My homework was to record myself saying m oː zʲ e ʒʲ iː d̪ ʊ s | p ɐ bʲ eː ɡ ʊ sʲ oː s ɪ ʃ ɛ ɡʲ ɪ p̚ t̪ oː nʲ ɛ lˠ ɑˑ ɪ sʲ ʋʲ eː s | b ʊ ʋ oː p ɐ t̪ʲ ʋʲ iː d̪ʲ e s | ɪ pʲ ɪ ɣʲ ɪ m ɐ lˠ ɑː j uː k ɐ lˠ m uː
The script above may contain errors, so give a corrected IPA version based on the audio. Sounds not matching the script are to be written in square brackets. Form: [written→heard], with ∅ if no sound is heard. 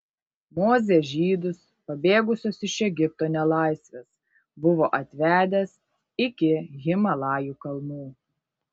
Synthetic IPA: m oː zʲ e ʒʲ iː d̪ ʊ s | p ɐ bʲ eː ɡ ʊ sʲ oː s ɪ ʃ ɛ ɡʲ ɪ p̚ t̪ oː nʲ ɛ lˠ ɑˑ ɪ sʲ ʋʲ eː s | b ʊ ʋ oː [p→ʔ] ɐ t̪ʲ ʋʲ [iː→æː] d̪ʲ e s | ɪ [pʲ→kʲ] ɪ ɣʲ ɪ m ɐ lˠ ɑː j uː k ɐ lˠ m uː